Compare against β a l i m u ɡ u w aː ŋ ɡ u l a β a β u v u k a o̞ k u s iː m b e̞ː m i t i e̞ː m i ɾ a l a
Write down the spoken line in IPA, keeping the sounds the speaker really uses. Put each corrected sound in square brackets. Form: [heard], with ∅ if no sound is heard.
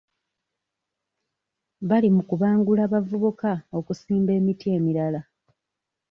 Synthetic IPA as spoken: β a l i m u [k] u [β] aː ŋ ɡ u l a β a [v] u [β] u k a o̞ k u s iː m b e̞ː m i t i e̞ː m i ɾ a l a

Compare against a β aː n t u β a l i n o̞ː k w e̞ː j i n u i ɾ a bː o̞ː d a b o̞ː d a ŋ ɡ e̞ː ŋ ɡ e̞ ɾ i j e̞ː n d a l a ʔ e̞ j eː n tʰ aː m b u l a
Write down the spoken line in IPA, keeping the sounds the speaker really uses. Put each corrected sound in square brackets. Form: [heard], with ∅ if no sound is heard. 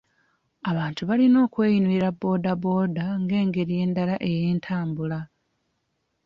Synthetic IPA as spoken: a β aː n t u β a l i n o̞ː k w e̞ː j i n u i ɾ a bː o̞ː d a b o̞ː d a ŋ ɡ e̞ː ŋ ɡ e̞ ɾ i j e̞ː n d a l a ʔ e̞ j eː n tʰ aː m b u l a

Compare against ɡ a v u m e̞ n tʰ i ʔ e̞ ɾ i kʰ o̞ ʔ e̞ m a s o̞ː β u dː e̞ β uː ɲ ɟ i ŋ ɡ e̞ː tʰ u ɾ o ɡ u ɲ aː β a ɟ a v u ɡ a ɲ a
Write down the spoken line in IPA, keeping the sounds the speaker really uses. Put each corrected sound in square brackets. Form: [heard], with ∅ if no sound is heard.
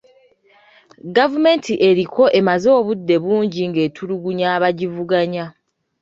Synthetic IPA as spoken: ɡ a v u m e̞ n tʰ i ʔ e̞ ɾ i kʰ o̞ ʔ e̞ m a [z] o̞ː β u dː e̞ β uː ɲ ɟ i ŋ ɡ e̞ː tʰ u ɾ [u] ɡ u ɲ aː β a ɟ [i] v u ɡ a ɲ a

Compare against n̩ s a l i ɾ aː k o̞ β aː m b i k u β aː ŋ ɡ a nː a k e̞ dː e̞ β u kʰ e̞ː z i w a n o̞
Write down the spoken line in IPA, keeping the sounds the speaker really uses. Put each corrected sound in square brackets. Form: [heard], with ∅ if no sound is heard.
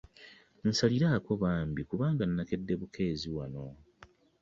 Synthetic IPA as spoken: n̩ s a l i ɾ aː k o̞ β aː m b i k u β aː ŋ ɡ a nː a k e̞ dː e̞ β u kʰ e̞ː z i w a n o̞

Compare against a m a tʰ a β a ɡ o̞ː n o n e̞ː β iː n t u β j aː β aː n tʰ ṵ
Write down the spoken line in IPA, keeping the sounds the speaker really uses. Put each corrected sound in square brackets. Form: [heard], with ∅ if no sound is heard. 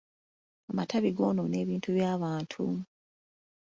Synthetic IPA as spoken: a m a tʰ a β [i] ɡ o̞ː n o n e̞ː β iː n t u β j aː β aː n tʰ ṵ

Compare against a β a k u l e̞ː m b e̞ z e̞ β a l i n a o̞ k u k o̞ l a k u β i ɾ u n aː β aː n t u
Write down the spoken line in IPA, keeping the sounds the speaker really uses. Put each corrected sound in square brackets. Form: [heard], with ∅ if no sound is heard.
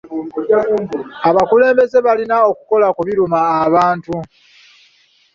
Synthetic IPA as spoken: a β a k u l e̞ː m b e̞ z e̞ β a l i n a o̞ k u k o̞ l a k u β i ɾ u [m] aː β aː n t u

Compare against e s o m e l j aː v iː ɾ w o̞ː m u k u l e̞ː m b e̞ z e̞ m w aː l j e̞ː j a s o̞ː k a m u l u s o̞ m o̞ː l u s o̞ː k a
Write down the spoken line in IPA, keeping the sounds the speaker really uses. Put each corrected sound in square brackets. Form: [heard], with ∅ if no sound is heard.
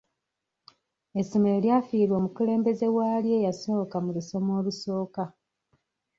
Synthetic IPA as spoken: e s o m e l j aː [f] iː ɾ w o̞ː m u k u l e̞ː m b e̞ z e̞ [∅] w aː l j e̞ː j a s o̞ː k a m u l u s o̞ m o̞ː l u s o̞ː k a

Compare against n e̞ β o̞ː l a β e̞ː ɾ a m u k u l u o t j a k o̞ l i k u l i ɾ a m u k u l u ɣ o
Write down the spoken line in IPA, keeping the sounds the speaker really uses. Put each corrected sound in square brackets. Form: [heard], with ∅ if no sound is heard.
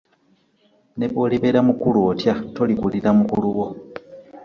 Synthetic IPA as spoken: n e̞ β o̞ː l [i] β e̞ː ɾ a m u k u l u o t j a [t] o̞ l i k u l i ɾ a m u k u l u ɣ o

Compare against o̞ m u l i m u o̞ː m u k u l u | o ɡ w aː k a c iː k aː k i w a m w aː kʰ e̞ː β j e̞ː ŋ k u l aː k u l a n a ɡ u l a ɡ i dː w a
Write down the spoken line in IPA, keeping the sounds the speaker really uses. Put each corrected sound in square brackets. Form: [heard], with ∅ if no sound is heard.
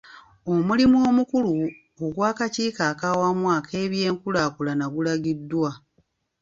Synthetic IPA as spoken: o̞ m u l i m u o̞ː m u k u l u | o ɡ w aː k a c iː k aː k [a] w a m w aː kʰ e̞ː β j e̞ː ŋ k u l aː k u l a n a ɡ u l a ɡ i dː w a

